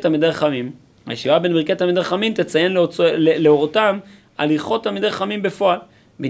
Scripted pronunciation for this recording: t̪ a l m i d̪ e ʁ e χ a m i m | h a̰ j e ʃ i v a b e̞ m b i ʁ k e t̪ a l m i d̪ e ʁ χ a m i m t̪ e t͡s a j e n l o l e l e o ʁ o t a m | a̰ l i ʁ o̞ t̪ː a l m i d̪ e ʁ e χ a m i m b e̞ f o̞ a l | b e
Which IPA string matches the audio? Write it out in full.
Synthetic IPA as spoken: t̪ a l m i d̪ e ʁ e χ a m i m | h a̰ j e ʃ i v a b e̞ n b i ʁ k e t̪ a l m i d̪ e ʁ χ a m i m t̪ e t͡s a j e n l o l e l e o ʁ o t a m | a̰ l i χ o̞ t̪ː a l m i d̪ e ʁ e χ a m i m b e̞ f o̞ a l | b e